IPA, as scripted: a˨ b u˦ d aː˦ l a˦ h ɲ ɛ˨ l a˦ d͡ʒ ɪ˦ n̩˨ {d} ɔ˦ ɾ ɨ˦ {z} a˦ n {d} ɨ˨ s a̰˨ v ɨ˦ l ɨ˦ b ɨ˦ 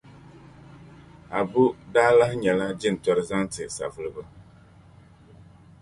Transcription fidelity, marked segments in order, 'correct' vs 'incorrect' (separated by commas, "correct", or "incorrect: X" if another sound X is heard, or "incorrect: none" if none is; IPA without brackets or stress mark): incorrect: t, correct, incorrect: t